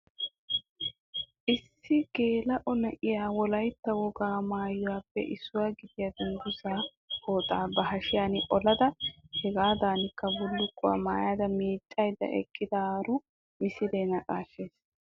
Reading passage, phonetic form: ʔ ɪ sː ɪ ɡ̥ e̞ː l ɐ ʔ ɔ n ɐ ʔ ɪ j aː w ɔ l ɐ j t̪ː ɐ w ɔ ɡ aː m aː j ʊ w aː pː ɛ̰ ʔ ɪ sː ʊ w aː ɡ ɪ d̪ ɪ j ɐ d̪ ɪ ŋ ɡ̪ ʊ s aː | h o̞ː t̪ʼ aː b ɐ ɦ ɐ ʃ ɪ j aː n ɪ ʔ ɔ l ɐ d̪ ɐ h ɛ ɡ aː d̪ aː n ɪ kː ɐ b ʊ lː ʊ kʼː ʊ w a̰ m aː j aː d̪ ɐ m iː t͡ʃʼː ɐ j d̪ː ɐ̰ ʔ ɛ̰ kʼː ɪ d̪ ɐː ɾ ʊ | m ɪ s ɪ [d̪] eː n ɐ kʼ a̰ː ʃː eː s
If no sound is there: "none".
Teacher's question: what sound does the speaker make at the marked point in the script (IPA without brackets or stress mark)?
d̪